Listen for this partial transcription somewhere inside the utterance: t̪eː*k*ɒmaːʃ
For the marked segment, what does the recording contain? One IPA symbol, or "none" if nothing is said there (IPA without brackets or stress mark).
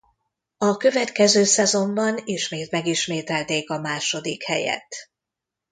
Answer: k